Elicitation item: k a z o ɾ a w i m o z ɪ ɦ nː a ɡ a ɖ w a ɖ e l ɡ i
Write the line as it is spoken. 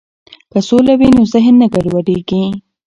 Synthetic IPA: k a s o l a w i n o z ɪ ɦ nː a ɡ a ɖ w a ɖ e ɡ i